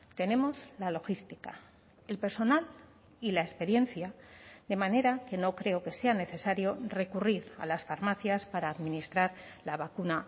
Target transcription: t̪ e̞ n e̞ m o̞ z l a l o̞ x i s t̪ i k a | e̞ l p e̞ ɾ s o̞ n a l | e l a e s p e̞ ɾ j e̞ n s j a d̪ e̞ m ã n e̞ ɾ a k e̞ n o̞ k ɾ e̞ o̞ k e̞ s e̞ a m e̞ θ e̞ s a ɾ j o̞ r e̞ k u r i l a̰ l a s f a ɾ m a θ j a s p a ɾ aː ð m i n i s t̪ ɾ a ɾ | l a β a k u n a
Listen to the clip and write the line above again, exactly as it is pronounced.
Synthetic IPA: t̪ e̞ n e̞ m o̞ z l a l o̞ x i s t̪ i k a | e̞ l p e̞ ɾ s o̞ n a l | i l a e s p e̞ ɾ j e̞ n θ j a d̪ e̞ m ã n e̞ ɾ a k e̞ n o̞ k ɾ e̞ o̞ k e̞ s e̞ a n e̞ θ e̞ s a ɾ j o̞ r e̞ k u r i ɾ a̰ l a s f a ɾ m a θ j a s p a ɾ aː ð m i n i s t̪ ɾ a ɾ | l a β a k u n a

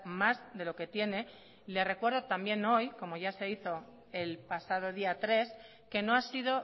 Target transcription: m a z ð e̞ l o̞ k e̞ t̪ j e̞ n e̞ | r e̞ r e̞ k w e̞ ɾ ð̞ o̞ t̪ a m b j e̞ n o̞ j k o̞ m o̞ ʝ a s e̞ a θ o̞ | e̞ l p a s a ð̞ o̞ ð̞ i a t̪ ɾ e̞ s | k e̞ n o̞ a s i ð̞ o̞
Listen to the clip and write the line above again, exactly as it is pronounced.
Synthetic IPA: m a z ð e̞ l o̞ k e̞ t̪ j e̞ n e̞ | l e̞ r e̞ k w e̞ ɾ ð̞ o̞ t̪ a m b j e̞ n o̞ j k o̞ m o̞ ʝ a s e̞ i θ o̞ | e̞ l p a s a ð̞ o̞ ð̞ i a t̪ ɾ e̞ s | k e̞ n o̞ a s i ð̞ o̞

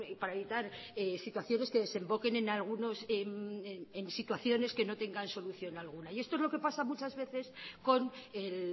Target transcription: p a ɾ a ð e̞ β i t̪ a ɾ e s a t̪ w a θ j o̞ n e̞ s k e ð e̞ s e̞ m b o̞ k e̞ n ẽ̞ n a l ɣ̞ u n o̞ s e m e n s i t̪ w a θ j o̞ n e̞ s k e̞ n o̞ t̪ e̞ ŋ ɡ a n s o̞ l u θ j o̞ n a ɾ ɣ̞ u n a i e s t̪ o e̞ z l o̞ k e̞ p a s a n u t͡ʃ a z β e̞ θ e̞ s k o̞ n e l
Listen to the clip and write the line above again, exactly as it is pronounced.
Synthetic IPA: p a ɾ a e̞ β i t̪ a ɾ e s i t̪ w a θ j o̞ n e̞ s k e ð e̞ s e̞ m b o̞ k e̞ n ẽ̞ n a l ɣ̞ u n o̞ s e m e n s i t̪ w a θ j o̞ n e̞ s k e̞ n o̞ t̪ e̞ ŋ ɡ a n s o̞ l u θ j o̞ n a l ɣ̞ u n a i e s t̪ o e̞ z l o̞ k e̞ p a s a m u t͡ʃ a z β e̞ θ e̞ s k o̞ n e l

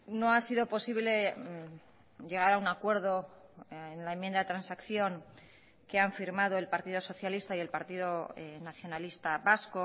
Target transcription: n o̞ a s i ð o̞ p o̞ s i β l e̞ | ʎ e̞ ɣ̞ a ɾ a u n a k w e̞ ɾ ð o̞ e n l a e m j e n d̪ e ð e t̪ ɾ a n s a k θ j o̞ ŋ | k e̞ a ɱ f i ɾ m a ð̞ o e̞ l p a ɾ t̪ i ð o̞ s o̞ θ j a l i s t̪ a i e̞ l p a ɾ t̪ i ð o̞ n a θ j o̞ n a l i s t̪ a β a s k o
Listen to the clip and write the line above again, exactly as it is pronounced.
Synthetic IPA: n o̞ a s i ð o̞ p o̞ s i β l e̞ | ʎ e̞ ɣ̞ a ɾ a u n a k w e̞ ɾ ð o̞ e n l a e m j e n d̪ a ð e t̪ ɾ a n s a k θ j o̞ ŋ | k e̞ a ɱ f i ɾ m a ð̞ o e̞ l p a ɾ t̪ i ð o̞ s o̞ θ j a l i s t̪ a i e̞ l p a ɾ t̪ i ð o̞ n a θ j o̞ n a l i s t̪ a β a s k o

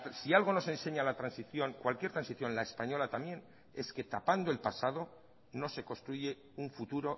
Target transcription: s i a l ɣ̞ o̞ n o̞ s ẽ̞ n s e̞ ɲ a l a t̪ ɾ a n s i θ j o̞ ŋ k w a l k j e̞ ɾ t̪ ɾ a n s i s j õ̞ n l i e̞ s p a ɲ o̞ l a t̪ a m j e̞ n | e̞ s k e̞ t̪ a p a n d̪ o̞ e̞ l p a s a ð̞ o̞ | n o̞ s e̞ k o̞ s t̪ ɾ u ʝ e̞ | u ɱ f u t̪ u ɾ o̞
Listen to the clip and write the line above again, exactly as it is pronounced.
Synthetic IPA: s i a l ɣ̞ o̞ n o̞ s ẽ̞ n s e̞ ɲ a l a t̪ ɾ a n s i θ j o̞ ŋ k w a l k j e̞ ɾ t̪ ɾ a n s i θ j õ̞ n l a e̞ s p a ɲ o̞ l a t̪ a m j e̞ n | e̞ s k e̞ t̪ a p a n d̪ o̞ e̞ l p a s a ð̞ o̞ | n o̞ s e̞ k o̞ s t̪ ɾ u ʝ e̞ | u ɱ f u t̪ u ɾ o̞

